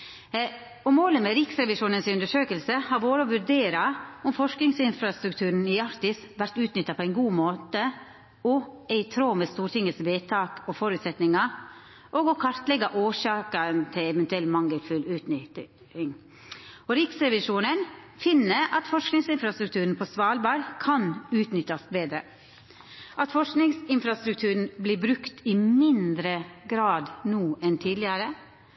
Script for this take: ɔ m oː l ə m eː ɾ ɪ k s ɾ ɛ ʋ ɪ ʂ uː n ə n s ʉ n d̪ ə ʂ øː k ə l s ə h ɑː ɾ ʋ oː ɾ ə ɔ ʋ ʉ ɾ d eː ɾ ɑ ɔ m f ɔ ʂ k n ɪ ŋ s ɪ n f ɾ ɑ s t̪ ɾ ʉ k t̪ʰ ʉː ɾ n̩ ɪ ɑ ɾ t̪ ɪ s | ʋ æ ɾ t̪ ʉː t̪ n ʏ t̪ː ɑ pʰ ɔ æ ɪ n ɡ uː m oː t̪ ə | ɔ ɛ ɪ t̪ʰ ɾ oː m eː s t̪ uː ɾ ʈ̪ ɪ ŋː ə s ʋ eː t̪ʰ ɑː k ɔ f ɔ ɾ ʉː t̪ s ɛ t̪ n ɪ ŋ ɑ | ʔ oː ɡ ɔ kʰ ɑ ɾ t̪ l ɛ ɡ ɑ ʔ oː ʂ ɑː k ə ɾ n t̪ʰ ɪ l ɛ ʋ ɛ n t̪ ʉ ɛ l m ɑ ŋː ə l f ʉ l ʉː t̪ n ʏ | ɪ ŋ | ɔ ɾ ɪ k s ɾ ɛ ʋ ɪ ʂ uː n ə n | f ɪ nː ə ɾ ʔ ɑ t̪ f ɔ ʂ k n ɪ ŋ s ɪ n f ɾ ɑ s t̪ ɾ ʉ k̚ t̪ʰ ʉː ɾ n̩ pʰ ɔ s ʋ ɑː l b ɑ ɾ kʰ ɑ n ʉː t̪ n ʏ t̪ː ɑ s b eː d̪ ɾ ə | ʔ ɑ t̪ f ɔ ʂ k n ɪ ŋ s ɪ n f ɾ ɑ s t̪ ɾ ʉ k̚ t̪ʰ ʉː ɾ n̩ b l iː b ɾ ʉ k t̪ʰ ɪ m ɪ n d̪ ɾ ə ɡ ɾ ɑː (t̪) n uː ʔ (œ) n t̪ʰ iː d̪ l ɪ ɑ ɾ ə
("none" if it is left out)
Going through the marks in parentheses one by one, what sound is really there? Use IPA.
d̪, ɛ

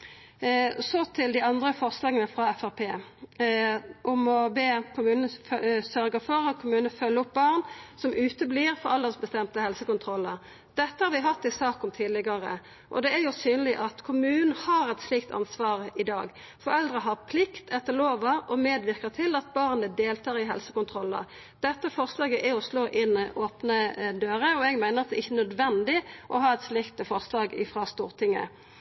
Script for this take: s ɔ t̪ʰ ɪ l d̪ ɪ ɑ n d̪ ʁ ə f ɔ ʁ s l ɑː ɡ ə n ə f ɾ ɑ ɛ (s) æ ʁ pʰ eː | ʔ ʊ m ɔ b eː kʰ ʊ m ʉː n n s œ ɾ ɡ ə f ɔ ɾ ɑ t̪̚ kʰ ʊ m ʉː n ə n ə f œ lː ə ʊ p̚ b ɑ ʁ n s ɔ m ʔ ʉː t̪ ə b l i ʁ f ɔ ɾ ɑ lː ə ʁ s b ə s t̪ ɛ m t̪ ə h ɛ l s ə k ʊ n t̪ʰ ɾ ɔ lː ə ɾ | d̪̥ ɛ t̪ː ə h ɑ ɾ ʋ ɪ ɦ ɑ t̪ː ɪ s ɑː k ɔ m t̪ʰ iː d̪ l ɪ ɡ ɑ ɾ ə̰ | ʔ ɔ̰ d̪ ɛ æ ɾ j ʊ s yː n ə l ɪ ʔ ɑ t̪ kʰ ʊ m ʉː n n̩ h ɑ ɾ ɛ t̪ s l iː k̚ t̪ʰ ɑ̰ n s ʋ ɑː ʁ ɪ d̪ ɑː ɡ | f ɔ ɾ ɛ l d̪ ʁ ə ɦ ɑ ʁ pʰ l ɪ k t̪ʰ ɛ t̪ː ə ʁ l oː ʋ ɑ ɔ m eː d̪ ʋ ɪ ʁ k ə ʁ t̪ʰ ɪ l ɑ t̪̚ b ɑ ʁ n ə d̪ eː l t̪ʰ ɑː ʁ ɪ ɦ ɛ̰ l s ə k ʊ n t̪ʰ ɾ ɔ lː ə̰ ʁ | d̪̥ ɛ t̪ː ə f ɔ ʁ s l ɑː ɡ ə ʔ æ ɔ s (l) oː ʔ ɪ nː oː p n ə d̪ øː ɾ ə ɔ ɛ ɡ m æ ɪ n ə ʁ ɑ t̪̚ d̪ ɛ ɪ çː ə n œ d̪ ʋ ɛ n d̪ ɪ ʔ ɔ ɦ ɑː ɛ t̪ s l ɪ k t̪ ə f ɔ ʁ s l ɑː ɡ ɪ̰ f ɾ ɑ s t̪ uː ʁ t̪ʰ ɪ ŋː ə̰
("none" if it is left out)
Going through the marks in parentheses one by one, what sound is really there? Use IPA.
f, l

